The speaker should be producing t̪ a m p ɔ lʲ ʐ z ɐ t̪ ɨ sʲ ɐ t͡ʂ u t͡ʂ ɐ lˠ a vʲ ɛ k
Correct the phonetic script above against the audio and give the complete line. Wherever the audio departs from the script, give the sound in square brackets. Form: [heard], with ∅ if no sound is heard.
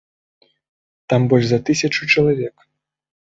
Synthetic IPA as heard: t̪ a m [b] ɔ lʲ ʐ z ɐ t̪ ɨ sʲ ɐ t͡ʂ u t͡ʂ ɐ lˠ a vʲ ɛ k